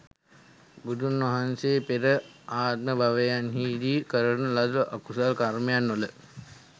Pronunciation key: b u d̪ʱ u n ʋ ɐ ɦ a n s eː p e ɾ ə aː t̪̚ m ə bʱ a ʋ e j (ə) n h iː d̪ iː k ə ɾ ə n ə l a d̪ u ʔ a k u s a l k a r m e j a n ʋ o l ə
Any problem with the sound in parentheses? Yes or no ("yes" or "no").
yes